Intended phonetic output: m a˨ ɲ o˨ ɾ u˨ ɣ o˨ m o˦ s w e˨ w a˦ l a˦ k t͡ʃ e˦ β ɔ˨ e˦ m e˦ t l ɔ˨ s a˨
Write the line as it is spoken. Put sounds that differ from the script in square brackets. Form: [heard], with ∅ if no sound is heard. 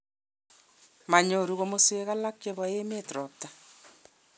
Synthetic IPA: m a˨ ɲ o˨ ɾ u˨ ɣ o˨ m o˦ s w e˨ [ɣ] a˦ l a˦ k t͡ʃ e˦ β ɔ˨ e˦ m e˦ t [ɾ] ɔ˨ [t] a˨